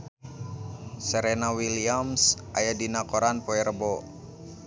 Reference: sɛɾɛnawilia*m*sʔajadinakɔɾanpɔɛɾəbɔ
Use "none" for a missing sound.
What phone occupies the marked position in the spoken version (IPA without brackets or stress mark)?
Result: m